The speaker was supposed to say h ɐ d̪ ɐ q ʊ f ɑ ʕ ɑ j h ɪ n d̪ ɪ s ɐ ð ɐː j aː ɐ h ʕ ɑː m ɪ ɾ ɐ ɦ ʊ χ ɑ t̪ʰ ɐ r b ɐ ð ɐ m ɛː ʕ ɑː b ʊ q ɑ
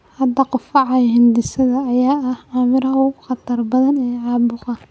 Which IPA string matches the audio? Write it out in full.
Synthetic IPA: h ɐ d̪ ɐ q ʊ f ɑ ʕ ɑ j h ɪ n d̪ ɪ s ɐ ð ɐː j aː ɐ h ʕ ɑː m ɪ ɾ ɐ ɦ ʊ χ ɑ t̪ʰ ɐ r b ɐ ð ɐ n ɛː ʕ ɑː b ʊ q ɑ